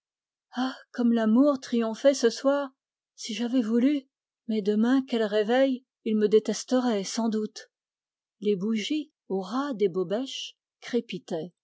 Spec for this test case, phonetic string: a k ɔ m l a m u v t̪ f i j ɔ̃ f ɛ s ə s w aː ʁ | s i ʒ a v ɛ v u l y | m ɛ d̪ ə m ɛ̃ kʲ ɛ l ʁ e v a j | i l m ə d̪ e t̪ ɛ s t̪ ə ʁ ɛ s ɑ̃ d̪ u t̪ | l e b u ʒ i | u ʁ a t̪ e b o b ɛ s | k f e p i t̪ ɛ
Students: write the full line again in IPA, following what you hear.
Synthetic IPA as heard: a k ɔ m l a m u ʁ t̪ χ i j ɔ̃ f ɛ s ə s w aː ʁ | s i ʒ a v ɛ v u l y | m ɛ d̪ ə m ɛ̃ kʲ ɛ l ʁ e v ɛ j | i l m ə d̪ e t̪ ɛ s t̪ ə ʁ ɛ s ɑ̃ d̪ u t̪ | l e b u ʒ i | o ʁ a d̪ e b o b ɛ ʃ | k χ e p i t̪ ɛ